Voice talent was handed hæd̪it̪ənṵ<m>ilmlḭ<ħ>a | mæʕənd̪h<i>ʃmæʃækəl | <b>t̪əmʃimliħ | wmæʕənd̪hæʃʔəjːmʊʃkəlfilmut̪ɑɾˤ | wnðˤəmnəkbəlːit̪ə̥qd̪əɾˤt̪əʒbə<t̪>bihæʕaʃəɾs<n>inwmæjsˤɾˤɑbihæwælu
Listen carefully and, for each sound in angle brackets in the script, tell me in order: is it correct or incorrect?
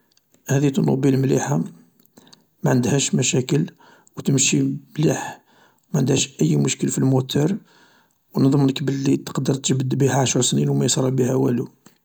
incorrect, correct, incorrect, incorrect, incorrect, correct

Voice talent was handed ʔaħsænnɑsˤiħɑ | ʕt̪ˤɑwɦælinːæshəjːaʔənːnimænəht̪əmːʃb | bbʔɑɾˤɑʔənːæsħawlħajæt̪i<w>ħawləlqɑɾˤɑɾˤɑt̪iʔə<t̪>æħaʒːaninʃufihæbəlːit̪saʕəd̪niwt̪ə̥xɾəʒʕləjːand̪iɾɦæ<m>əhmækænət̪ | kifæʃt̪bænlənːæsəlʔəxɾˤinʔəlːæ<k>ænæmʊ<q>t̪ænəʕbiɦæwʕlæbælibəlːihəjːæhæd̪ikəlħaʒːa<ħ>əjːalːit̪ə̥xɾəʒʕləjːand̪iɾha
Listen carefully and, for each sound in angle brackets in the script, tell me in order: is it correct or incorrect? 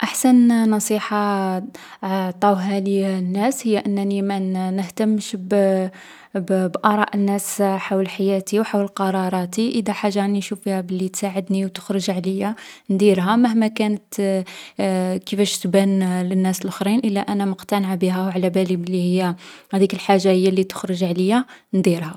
correct, incorrect, correct, incorrect, correct, incorrect

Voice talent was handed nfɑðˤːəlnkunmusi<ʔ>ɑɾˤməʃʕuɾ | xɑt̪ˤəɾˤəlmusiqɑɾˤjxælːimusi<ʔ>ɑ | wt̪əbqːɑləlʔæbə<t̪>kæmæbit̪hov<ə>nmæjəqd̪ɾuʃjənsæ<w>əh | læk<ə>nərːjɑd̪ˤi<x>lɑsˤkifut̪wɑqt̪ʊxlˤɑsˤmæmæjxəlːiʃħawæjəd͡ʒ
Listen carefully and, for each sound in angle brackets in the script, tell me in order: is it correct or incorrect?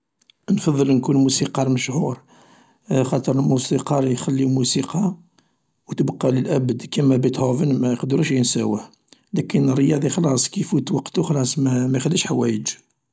incorrect, incorrect, incorrect, correct, correct, correct, correct

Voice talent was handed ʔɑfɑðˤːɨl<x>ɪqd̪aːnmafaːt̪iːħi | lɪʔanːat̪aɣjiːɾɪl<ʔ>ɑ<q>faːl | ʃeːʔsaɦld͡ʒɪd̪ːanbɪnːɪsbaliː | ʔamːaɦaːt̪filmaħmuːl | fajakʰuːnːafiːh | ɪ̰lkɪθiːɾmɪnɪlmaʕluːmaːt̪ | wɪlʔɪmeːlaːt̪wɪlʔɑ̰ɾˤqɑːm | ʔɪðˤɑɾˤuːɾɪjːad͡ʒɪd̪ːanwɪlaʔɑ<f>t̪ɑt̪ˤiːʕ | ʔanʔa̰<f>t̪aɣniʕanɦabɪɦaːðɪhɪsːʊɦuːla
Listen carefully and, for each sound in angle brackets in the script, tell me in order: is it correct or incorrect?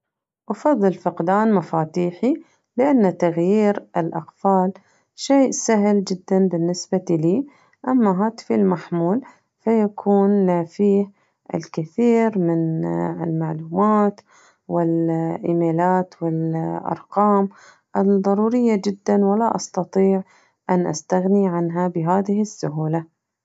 incorrect, correct, correct, incorrect, incorrect

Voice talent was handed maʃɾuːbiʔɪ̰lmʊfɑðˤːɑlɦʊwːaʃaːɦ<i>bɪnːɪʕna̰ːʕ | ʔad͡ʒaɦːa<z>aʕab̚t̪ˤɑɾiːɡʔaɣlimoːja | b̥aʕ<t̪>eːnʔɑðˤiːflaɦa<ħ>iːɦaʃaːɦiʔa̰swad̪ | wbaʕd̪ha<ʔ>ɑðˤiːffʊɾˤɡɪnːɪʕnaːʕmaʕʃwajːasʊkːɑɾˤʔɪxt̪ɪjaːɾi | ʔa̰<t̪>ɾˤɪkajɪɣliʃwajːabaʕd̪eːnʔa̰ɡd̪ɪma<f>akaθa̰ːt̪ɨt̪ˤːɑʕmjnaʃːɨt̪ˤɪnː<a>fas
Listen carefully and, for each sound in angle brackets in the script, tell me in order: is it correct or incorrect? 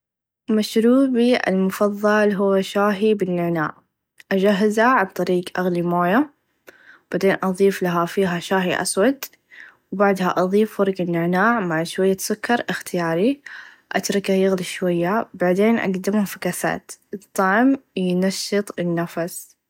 correct, correct, incorrect, incorrect, correct, correct, correct, correct

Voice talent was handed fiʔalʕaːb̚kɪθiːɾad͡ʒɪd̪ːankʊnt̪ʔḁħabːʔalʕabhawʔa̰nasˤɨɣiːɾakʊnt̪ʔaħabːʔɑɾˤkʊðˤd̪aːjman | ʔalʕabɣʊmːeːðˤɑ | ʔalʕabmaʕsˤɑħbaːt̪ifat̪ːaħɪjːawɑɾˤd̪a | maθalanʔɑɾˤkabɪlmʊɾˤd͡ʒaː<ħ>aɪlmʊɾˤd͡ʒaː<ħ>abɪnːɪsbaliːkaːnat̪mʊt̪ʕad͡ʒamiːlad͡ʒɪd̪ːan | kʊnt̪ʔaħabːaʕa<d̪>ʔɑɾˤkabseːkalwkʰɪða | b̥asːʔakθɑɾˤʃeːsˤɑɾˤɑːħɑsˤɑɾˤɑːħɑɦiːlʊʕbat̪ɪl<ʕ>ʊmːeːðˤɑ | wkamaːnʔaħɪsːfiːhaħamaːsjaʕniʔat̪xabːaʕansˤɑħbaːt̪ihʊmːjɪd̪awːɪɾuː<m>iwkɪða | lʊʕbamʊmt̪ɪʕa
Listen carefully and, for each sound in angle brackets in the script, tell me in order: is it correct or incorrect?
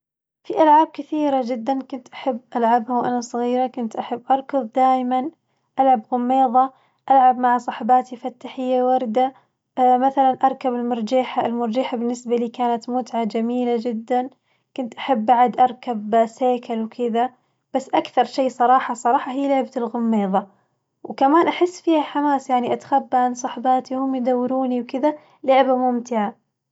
correct, correct, correct, incorrect, incorrect

